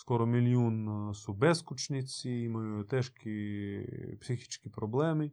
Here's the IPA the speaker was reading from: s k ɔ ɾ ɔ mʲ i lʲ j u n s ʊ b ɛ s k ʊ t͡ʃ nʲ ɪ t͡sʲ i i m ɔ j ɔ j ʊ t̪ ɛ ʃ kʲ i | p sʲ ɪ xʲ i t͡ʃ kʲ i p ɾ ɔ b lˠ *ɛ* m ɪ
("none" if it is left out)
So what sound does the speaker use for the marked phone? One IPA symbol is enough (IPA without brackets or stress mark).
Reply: ɛ